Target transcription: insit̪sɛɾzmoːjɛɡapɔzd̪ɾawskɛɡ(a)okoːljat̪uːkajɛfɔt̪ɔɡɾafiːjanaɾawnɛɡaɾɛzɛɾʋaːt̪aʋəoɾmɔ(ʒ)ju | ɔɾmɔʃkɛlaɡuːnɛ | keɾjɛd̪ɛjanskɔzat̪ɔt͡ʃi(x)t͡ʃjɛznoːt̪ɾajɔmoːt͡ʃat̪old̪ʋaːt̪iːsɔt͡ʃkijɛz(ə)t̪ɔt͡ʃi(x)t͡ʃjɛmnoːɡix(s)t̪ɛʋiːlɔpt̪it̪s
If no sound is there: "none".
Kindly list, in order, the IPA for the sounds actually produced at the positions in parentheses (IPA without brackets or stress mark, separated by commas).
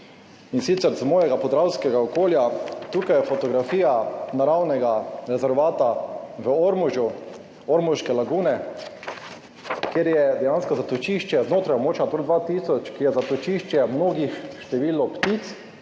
a, ʒ, ʃ, a, ʃ, ʃ